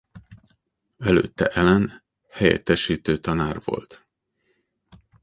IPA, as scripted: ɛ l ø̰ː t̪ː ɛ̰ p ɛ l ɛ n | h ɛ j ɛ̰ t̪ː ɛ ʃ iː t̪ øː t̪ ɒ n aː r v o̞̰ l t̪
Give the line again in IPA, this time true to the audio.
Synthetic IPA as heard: ɛ l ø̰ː t̪ː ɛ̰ ʔ ɛ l ɛ n | h ɛ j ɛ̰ t̪ː ɛ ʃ iː t̪ øː t̪ ɒ n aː r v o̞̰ l t̪